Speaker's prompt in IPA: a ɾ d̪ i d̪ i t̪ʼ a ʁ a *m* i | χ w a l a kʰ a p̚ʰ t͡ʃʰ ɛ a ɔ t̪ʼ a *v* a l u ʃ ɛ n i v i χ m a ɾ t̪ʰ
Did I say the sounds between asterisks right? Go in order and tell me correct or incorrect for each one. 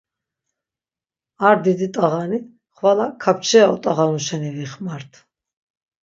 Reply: incorrect: n, incorrect: ʁ

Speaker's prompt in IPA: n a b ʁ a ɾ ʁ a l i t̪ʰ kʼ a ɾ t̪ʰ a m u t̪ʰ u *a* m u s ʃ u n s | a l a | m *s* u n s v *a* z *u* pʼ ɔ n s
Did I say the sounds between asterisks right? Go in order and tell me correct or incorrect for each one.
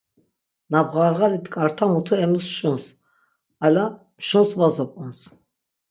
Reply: incorrect: ɛ, incorrect: ʃ, correct, incorrect: ɔ

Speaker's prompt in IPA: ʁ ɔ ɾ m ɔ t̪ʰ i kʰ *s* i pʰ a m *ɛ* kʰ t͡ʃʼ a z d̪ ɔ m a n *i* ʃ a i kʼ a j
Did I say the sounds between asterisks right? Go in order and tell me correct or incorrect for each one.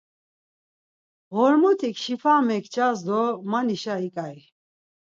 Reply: incorrect: ʃ, correct, correct

